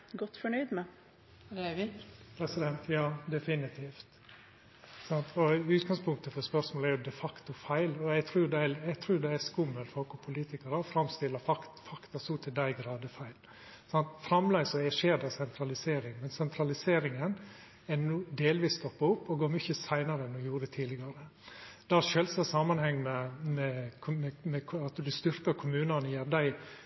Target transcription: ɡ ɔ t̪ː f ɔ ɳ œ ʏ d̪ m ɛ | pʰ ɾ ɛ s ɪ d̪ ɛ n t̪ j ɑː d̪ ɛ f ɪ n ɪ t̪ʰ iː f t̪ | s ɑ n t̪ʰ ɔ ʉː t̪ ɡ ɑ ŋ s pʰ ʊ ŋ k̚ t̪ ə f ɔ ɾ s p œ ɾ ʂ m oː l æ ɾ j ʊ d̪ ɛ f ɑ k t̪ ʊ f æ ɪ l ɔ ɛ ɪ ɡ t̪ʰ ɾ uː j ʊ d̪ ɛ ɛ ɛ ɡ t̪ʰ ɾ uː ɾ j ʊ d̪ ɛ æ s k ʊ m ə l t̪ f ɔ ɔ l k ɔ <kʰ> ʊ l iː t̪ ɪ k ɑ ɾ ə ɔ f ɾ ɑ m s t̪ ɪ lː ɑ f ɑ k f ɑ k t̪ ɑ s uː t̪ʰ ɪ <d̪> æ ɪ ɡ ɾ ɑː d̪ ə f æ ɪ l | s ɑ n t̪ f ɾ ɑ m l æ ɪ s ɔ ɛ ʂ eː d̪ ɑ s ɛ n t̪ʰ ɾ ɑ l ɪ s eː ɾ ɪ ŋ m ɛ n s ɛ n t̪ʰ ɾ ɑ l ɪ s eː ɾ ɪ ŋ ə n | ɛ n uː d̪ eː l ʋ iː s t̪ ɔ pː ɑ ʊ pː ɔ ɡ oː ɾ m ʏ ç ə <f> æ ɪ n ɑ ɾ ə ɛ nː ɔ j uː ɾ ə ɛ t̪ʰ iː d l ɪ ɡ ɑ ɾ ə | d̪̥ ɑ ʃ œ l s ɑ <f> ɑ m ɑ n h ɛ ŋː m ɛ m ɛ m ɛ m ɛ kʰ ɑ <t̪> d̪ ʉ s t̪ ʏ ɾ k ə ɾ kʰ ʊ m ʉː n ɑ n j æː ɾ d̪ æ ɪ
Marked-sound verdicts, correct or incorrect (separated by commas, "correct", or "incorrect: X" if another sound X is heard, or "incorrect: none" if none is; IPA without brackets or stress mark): incorrect: pʰ, correct, incorrect: s, incorrect: s, correct